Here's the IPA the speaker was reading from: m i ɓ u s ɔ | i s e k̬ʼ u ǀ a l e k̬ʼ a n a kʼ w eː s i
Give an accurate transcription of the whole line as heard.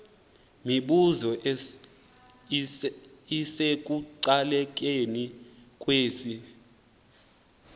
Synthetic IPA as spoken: m i ɓ u z ɔ | i s e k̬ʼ u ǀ a l ɛ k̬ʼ e n i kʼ w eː s i